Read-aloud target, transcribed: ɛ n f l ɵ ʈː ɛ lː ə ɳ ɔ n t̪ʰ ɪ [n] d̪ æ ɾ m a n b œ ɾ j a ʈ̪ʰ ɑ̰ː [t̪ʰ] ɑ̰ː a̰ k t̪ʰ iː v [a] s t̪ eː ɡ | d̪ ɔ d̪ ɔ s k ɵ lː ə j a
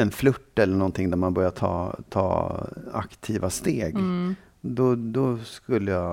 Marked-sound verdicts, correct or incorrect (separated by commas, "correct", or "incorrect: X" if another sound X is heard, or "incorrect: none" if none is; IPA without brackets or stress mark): incorrect: ŋ, correct, correct